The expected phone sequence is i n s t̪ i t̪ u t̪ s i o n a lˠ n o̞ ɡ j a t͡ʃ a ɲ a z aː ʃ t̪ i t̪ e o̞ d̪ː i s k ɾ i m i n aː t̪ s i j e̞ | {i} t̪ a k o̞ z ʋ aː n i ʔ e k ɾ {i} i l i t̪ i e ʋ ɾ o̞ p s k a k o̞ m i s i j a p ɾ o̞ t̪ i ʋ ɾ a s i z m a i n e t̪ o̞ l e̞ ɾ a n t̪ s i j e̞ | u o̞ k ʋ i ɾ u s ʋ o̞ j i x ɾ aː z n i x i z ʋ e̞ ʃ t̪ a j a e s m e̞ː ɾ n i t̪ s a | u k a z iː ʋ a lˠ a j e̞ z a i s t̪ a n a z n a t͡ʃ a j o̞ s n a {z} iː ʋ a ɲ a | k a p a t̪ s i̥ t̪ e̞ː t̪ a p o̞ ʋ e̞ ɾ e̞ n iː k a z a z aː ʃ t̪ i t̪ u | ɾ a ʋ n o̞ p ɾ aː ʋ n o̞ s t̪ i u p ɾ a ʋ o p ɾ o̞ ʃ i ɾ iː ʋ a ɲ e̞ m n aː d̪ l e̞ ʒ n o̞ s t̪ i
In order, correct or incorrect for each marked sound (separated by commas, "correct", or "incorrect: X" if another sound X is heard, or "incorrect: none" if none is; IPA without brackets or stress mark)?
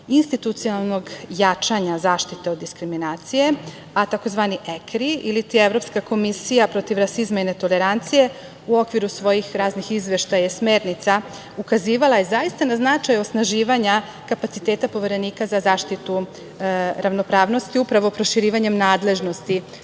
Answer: incorrect: a, correct, incorrect: ʒ